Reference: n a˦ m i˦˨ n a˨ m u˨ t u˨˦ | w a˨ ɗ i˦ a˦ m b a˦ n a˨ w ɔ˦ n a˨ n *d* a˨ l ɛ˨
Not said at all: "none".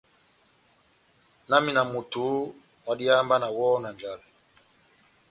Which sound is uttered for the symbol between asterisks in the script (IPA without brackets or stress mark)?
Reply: d͡ʒ